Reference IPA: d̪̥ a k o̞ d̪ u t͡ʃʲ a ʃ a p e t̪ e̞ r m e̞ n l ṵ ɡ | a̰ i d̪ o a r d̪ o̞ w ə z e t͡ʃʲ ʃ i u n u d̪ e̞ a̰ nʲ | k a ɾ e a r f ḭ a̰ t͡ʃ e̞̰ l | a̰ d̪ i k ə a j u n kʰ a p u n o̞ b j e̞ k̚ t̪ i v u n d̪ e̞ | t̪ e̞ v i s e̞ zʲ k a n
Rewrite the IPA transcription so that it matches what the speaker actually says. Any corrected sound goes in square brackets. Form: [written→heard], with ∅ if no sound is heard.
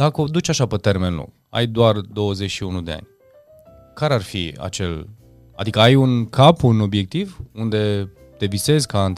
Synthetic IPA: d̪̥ a k o̞ d̪ u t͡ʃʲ a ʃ a p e t̪ e̞ r m e̞ n l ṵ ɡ | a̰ [i→j] d̪ o a r d̪ o̞ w ə z e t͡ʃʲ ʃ i u n u d̪ e̞ a̰ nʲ | k a ɾ e a r f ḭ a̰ t͡ʃ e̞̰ l | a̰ d̪ i k ə a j u n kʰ a p u n o̞ b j e̞ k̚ t̪ i v u n d̪ e̞ | t̪ e̞ v i s e̞ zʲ k a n